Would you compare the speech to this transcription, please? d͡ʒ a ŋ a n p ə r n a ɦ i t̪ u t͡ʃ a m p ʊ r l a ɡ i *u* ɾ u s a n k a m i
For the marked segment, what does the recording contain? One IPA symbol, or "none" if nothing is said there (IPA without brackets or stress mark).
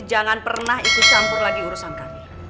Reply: u